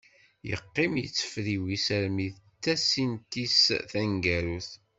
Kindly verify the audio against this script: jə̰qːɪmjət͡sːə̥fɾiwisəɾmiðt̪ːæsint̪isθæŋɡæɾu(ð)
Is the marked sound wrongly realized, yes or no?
yes